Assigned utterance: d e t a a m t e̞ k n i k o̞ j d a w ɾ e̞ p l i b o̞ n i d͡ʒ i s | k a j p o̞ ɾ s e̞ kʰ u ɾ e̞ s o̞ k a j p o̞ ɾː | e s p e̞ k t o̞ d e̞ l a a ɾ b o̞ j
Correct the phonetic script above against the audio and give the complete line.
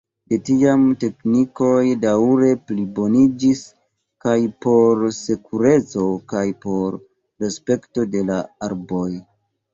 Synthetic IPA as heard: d e t i a m t e̞ k n i k o̞ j d a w ɾ e̞ p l i b o̞ n i d͡ʒ i s | k a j p o̞ ɾ s e̞ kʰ u ɾ e̞ t͡s o̞ k a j p o̞ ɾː | e s p e̞ k t o̞ d e̞ l a a ɾ b o̞ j